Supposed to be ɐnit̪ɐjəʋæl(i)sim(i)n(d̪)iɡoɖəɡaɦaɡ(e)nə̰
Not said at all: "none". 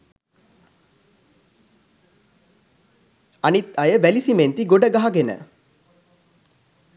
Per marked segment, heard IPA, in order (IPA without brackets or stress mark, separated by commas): i, e, t̪, e